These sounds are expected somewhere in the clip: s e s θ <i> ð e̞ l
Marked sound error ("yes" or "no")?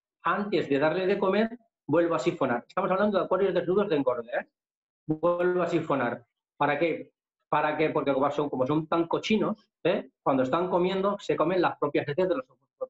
yes